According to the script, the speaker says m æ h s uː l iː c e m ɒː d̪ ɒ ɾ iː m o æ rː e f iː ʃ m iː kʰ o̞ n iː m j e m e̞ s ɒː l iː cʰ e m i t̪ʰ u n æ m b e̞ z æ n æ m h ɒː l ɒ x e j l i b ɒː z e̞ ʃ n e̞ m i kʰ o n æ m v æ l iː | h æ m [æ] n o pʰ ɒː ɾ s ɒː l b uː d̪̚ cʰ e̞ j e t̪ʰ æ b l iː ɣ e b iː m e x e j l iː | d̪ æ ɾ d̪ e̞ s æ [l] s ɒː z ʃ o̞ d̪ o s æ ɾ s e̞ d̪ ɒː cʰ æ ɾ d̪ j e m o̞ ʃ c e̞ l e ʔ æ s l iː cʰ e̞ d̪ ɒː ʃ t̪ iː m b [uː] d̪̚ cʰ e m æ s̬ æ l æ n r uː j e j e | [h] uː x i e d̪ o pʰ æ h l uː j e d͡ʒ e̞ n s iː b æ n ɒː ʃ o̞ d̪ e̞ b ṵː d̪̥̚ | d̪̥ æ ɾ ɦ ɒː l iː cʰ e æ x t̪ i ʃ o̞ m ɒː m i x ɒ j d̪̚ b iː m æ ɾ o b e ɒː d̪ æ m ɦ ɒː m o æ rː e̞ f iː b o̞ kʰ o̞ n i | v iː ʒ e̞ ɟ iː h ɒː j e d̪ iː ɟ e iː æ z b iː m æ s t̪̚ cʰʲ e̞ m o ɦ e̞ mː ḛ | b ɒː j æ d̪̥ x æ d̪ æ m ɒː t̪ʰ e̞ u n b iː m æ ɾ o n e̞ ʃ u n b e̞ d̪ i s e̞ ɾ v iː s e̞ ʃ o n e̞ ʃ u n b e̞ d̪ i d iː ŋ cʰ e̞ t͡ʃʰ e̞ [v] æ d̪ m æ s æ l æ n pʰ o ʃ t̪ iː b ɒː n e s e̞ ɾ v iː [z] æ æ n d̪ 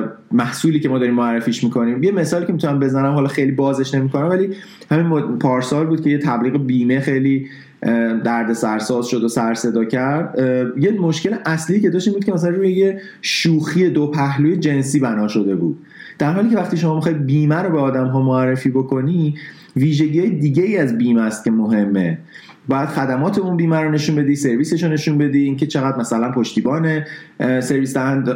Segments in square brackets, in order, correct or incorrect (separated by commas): incorrect, incorrect, incorrect, incorrect, incorrect, incorrect